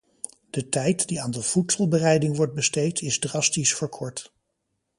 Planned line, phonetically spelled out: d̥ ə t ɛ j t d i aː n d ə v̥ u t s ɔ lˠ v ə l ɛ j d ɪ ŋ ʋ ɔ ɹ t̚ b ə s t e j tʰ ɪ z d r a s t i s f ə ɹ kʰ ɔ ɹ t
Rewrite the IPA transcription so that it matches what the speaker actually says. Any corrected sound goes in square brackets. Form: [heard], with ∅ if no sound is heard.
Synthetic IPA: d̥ ə t ɛ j t d i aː n d ə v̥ u t s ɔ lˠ [b] ə [r] ɛ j d ɪ ŋ ʋ ɔ ɹ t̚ b ə s t e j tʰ ɪ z d r [ɑ] s t i s f ə ɹ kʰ ɔ ɹ t

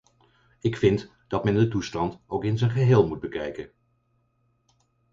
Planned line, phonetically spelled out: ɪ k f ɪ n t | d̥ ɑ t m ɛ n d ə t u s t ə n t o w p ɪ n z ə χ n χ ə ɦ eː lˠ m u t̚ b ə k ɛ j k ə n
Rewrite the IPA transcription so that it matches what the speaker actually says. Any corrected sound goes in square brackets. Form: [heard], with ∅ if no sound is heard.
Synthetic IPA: ɪ k f ɪ n t | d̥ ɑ t m ɛ n d ə t u s t [ɑ] n t o w [k] ɪ n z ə [∅] n χ ə ɦ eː lˠ m u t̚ b ə k ɛ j k ə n

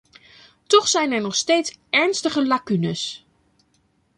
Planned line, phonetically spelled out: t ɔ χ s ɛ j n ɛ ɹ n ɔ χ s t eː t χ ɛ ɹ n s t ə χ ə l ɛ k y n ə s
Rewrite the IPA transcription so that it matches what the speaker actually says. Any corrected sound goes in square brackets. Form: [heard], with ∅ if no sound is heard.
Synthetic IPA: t ɔ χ s ɛ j n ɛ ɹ n ɔ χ s t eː t [s] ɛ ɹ n s t ə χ ə l [a] k y n ə s

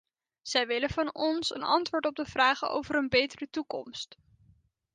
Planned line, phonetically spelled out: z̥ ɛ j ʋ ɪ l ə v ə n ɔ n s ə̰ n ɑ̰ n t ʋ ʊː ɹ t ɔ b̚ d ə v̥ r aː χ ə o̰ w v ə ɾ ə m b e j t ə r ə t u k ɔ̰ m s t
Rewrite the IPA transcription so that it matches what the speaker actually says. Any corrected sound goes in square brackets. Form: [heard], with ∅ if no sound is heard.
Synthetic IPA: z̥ ɛ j ʋ ɪ l ə v [ɑ] n ɔ n s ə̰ n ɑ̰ n t ʋ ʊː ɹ t ɔ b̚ d ə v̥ r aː χ ə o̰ w v ə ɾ ə [n] b e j t ə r ə t u k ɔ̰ m s t

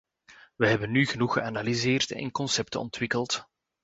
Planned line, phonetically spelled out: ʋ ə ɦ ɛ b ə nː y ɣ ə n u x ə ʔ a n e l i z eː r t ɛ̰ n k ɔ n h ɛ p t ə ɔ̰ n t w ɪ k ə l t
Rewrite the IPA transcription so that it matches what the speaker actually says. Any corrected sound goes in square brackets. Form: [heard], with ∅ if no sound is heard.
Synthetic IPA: ʋ ə ɦ ɛ b ə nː y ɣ ə n u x ə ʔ a n [a] l i z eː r t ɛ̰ n k ɔ n [s] ɛ p t ə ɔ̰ n t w ɪ k ə l t

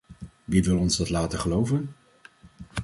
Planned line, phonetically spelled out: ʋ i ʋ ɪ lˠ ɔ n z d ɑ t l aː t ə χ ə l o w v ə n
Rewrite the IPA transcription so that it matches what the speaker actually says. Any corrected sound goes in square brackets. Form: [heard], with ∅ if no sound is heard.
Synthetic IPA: ʋ i ʋ ɪ lˠ ɔ n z d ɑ t l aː t ə χ ə l o w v ə n

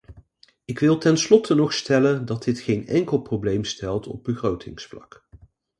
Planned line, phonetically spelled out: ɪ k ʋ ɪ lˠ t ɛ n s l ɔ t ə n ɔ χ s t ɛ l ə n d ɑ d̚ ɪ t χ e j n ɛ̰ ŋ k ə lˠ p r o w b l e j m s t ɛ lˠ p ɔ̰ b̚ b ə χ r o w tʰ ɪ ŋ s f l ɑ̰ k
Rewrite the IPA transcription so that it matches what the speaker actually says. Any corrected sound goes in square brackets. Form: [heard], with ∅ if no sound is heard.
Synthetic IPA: ɪ k ʋ ɪ lˠ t ɛ n s l ɔ t ə n ɔ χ s t ɛ l ə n d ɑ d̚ ɪ t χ e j n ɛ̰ ŋ k ə lˠ p r o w b l e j m s t ɛ lˠ [t] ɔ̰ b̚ b ə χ r o w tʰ ɪ ŋ s f l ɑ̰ k

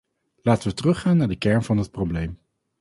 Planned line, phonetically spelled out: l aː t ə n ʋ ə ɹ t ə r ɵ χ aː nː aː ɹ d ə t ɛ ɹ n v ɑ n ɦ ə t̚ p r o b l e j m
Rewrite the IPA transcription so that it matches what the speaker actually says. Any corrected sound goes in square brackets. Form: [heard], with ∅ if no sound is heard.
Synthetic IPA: l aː t ə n ʋ ə [∅] t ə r ɵ χ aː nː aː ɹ d ə [k] ɛ ɹ n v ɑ n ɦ ə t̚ p r o b l e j m

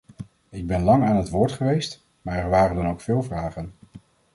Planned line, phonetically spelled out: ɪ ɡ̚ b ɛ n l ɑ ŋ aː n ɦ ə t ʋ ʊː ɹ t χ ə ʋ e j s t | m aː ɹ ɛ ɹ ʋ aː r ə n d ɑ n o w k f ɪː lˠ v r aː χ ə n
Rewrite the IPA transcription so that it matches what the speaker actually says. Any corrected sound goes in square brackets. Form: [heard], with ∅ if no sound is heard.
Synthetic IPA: ɪ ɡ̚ b ɛ n l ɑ ŋ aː n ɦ ə t ʋ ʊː ɹ t χ ə ʋ e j s t | m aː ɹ ɛ ɹ ʋ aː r ə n d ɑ n o w k f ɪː lˠ v r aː χ ə n

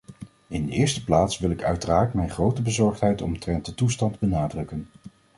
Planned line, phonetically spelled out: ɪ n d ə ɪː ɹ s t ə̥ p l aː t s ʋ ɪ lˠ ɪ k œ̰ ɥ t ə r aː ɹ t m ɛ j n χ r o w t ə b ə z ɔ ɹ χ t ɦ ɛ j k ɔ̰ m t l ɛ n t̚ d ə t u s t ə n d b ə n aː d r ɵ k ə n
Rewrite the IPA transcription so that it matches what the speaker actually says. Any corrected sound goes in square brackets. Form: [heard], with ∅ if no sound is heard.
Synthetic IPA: ɪ n d ə ɪː ɹ s t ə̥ p l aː t s ʋ ɪ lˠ ɪ k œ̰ ɥ t ə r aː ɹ t m ɛ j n χ r o w t ə b ə z ɔ ɹ χ t ɦ ɛ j [t] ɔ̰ m t [r] ɛ n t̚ d ə t u s t [ɑ] n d b ə n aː d r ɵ k ə n

